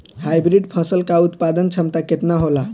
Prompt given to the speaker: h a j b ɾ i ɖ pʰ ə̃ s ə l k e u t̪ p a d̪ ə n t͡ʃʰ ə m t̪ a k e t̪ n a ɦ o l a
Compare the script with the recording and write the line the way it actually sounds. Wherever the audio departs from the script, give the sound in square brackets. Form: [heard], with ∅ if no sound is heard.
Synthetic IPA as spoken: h a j b ɾ i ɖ pʰ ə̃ s ə l k [a] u t̪ p a d̪ ə n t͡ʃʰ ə m t̪ a k e t̪ n a ɦ o l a